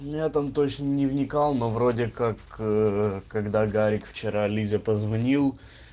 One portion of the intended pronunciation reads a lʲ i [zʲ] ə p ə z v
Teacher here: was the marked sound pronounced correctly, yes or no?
yes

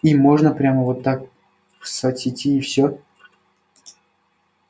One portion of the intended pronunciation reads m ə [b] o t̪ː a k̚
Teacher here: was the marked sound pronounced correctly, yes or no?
no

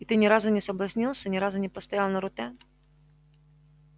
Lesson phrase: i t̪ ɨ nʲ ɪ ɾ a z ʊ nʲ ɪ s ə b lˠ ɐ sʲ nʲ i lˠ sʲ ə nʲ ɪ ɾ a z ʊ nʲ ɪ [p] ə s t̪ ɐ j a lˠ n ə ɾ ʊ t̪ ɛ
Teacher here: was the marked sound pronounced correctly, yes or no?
yes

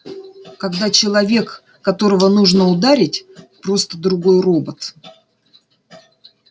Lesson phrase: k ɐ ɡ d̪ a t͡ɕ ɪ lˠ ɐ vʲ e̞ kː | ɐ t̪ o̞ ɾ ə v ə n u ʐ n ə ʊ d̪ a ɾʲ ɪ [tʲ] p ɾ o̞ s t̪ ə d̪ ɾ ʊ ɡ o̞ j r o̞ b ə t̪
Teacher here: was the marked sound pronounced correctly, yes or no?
yes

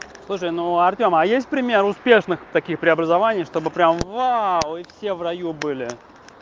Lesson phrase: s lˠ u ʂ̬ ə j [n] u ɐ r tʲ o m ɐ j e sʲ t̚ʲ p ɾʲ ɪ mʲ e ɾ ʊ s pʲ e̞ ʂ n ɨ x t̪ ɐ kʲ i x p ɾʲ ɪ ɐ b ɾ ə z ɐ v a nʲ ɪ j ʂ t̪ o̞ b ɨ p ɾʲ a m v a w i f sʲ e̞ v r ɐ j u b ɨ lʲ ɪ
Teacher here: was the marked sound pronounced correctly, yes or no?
yes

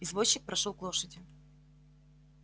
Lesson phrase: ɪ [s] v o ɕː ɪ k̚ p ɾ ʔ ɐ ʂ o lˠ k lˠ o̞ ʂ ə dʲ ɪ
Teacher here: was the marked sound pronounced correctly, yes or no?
no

